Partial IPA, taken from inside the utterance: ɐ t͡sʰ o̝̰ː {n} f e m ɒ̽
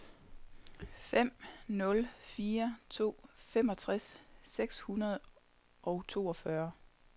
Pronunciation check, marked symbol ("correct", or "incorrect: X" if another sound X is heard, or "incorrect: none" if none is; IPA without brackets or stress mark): incorrect: none